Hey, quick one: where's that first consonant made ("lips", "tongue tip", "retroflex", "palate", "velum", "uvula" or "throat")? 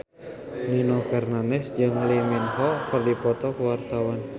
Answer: tongue tip